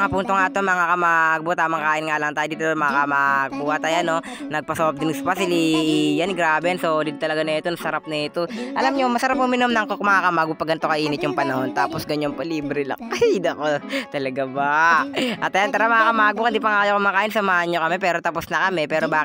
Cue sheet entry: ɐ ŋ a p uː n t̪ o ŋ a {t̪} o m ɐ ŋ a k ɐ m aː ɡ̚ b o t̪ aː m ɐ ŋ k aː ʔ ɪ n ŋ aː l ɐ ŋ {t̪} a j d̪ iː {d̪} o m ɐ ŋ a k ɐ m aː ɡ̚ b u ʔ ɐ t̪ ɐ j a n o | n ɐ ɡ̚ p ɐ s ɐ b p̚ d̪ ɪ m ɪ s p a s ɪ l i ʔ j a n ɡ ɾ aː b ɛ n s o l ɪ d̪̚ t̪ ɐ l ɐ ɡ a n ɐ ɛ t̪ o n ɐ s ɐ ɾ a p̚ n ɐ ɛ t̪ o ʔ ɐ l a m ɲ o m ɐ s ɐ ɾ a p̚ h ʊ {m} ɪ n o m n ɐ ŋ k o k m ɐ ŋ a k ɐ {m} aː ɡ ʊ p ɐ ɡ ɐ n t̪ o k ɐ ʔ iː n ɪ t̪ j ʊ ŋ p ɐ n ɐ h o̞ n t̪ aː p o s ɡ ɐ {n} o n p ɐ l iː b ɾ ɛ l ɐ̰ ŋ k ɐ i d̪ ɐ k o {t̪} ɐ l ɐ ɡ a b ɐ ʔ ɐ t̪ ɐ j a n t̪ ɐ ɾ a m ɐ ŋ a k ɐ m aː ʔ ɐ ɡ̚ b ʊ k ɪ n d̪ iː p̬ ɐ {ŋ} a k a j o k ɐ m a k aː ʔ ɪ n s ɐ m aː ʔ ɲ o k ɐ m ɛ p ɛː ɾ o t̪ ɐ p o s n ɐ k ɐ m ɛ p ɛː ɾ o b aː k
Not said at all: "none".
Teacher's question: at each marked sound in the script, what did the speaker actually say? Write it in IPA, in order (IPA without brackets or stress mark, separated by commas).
t̪, t̪, t̪, m, m, ɲ, t̪, ŋ